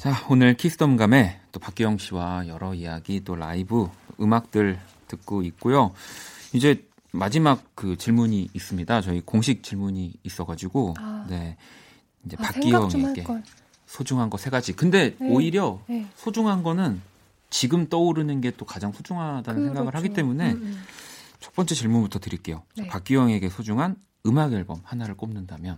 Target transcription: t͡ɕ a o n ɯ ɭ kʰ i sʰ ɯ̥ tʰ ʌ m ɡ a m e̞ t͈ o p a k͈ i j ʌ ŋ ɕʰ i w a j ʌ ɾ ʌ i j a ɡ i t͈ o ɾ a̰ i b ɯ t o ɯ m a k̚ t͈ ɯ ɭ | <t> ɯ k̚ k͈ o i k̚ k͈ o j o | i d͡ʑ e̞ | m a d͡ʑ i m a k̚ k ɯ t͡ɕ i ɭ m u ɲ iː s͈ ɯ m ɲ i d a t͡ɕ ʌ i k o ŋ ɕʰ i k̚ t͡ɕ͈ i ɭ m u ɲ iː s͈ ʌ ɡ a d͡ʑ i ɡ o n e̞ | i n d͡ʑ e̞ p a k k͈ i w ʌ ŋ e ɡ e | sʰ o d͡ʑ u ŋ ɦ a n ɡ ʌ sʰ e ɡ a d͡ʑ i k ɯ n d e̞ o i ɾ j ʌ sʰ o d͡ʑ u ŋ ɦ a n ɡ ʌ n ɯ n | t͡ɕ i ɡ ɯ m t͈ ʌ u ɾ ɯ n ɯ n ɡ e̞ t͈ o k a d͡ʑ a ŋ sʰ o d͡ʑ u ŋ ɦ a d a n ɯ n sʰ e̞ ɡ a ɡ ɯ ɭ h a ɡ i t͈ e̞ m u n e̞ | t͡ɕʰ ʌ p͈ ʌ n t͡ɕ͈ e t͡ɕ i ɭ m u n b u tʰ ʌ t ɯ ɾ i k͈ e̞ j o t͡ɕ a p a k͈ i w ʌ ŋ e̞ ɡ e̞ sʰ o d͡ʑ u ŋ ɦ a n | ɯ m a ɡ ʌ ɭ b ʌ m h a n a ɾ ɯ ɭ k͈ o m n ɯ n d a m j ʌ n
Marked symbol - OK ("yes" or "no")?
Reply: yes